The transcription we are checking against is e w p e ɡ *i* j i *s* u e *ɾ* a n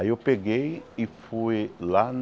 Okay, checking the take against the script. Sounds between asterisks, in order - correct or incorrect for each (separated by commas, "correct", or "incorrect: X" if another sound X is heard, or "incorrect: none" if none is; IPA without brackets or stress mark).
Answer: incorrect: e, incorrect: f, incorrect: l